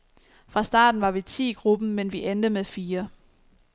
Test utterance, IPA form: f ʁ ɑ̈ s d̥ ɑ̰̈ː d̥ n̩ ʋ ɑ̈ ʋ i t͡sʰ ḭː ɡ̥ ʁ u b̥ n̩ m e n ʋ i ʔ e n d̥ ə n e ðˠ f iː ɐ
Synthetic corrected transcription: f ʁ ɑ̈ s d̥ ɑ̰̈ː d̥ n̩ ʋ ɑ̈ ʋ i t͡sʰ ḭː ɡ̥ ʁ u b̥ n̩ m e n ʋ i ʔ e n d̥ ə m e ðˠ f iː ɐ

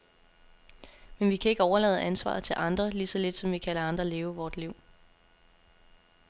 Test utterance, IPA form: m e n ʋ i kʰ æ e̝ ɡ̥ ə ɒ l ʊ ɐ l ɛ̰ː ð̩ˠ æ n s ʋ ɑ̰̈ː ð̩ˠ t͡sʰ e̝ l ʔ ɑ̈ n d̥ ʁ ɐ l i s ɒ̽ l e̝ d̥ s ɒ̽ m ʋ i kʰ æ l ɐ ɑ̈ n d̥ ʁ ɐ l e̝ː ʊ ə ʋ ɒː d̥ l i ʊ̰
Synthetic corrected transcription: m e n ʋ i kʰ æ e̝ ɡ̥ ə ɒ ʊ ɐ l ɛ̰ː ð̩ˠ æ n s ʋ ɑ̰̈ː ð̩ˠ t͡sʰ e̝ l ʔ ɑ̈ n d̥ ʁ ɐ l i s ɒ̽ l e̝ d̥ s ɒ̽ m ʋ i kʰ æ l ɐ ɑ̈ n d̥ ʁ ɐ l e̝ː ʊ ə ʋ ɒː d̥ l i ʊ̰

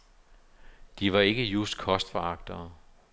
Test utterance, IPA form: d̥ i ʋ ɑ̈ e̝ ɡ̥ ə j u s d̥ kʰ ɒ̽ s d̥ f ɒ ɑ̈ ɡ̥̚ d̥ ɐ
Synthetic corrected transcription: d̥ i ʋ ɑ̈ e̝ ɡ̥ ə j u s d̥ kʰ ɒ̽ s d̥ f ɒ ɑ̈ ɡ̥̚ d̥ ɐ

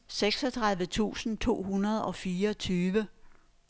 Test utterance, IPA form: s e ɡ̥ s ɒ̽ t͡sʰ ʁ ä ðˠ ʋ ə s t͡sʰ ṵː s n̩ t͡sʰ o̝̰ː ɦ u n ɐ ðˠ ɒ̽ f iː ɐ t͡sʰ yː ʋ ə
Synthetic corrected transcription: s e ɡ̥ s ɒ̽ t͡sʰ ʁ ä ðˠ ʋ ə t͡sʰ ṵː s n̩ t͡sʰ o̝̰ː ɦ u n ɐ ðˠ ɒ̽ f iː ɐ t͡sʰ yː ʋ ə

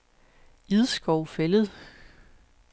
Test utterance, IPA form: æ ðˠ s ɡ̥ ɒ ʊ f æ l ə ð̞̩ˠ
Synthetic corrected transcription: i ðˠ s ɡ̥ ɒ ʊ f e l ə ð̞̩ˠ

